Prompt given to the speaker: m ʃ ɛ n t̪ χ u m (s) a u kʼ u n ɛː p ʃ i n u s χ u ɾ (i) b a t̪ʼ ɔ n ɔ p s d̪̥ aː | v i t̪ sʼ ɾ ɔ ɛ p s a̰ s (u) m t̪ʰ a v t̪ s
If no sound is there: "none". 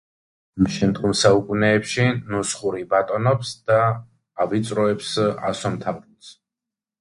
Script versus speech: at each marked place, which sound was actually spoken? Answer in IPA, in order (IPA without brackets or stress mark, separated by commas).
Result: s, i, ɔ